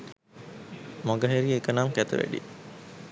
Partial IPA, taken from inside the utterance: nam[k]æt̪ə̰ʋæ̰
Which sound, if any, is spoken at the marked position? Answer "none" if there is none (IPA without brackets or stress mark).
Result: k